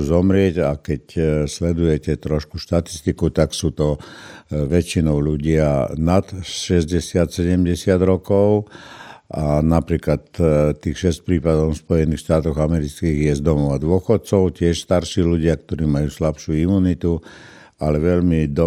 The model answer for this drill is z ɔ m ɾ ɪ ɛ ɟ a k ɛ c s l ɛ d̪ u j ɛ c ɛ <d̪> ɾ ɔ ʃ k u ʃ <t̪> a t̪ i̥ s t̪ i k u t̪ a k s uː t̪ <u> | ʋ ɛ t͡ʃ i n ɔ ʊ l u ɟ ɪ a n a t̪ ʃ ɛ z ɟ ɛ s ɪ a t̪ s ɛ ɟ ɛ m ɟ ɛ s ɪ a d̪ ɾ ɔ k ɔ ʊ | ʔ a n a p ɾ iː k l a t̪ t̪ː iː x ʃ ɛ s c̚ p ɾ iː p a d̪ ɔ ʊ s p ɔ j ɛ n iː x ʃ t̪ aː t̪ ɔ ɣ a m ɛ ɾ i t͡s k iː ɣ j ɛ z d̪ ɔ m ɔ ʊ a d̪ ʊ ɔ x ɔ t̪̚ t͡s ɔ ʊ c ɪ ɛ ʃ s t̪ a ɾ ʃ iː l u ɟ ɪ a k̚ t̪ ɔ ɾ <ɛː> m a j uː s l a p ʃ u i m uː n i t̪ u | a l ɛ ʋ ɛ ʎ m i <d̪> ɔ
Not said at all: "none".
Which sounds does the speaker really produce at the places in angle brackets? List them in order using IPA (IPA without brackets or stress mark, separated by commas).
t̪, t̪, ɔ, iː, d̪